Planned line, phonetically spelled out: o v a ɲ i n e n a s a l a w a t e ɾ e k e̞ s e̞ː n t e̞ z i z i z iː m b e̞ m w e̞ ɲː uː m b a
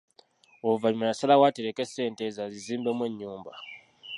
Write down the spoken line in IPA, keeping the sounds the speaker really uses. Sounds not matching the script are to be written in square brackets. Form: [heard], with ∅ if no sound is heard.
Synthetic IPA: o v a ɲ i [m] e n a s a l a w a t e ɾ e k e̞ s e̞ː n t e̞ z [a] z i z iː m b e̞ m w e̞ ɲː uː m b a